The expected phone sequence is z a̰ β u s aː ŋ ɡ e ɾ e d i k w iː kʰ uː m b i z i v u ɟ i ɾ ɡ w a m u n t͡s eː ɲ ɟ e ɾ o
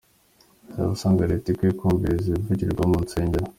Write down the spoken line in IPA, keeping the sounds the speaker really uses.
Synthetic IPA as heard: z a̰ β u s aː ŋ ɡ a ɾ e t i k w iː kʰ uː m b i z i v u ɟ i ɾ ɡ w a m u n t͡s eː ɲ ɟ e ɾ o